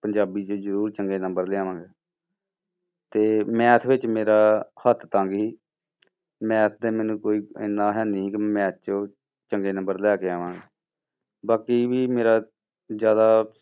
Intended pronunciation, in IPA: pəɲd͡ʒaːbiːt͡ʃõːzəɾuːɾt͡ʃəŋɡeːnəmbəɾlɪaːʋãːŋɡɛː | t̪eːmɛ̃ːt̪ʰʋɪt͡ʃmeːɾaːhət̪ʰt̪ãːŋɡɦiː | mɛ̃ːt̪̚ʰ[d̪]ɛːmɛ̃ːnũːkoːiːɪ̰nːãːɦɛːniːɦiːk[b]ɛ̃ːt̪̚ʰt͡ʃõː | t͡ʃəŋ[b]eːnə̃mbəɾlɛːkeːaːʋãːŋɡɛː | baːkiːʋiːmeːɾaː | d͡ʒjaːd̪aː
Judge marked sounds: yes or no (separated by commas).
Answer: yes, no, no